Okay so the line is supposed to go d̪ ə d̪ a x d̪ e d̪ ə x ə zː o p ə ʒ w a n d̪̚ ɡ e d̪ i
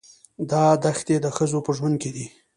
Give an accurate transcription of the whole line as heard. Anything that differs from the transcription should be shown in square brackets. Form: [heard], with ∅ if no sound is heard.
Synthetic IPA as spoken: d̪ [ɑ] d̪ a x [t̪] e d̪ ə x ə [z] o p ə ʒ w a n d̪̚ [k] e d̪ i